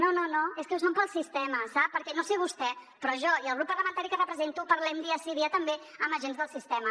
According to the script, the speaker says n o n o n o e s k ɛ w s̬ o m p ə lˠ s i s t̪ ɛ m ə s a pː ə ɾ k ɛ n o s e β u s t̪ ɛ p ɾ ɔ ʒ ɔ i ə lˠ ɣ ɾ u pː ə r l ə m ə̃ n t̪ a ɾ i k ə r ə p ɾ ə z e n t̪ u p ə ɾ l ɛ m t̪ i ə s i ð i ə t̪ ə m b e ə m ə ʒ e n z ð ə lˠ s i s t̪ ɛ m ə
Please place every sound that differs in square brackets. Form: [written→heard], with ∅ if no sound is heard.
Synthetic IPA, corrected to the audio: n o n o n o e s k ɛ w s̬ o m p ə lˠ s i s t̪ ɛ m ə s a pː ə ɾ k ɛ n o s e β u s t̪ ɛ p ɾ ɔ ʒ ɔ i ə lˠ ɣ ɾ u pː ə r l ə m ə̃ n t̪ a ɾ i k ə r ə p ɾ ə z e n t̪ u p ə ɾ l ɛ m [t̪→d̪] i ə s i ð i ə t̪ ə m b e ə m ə ʒ e n z ð ə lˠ s i s t̪ ɛ m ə